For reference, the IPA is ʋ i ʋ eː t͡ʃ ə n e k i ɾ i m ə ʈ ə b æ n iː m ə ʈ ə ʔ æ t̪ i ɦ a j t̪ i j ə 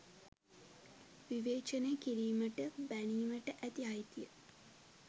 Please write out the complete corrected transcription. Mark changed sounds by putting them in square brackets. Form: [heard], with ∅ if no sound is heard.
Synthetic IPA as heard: ʋ i ʋ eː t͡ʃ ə n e k i ɾ [iː] m ə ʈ ə b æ n iː m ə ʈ ə ʔ æ t̪ i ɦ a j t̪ i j ə